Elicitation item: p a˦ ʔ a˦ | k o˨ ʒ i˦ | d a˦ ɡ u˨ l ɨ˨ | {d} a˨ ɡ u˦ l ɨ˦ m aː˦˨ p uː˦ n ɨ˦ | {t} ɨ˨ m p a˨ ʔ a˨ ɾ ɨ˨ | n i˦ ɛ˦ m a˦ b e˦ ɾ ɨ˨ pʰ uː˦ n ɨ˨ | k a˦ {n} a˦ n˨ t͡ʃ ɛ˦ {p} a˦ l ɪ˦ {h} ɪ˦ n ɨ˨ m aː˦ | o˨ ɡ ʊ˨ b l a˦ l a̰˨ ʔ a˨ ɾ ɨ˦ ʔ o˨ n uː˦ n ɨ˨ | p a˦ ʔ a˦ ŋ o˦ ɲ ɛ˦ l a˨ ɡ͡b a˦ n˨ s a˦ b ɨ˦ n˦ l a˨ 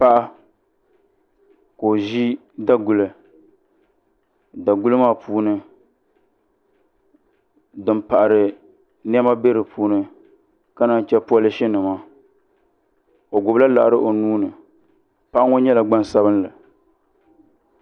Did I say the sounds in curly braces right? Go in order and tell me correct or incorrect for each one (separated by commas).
correct, incorrect, correct, correct, incorrect